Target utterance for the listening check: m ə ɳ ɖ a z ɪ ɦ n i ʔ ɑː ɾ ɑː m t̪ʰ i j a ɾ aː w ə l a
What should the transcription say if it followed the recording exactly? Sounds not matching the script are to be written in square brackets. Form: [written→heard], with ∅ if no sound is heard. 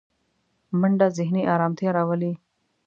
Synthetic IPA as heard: m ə ɳ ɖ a z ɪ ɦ n i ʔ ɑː ɾ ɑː m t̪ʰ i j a ɾ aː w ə l [a→i]